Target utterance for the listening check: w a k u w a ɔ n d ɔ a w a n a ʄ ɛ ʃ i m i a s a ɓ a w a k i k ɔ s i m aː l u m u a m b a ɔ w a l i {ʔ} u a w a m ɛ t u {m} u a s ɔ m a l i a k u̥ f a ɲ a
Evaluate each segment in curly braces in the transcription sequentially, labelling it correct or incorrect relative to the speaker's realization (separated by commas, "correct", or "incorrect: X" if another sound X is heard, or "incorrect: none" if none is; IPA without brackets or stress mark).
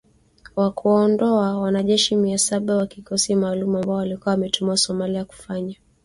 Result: incorrect: k, correct